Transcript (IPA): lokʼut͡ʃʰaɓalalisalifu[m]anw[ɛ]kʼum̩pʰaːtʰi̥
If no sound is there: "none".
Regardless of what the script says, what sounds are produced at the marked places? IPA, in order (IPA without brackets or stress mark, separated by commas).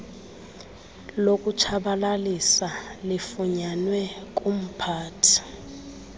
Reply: ɲ, ɛ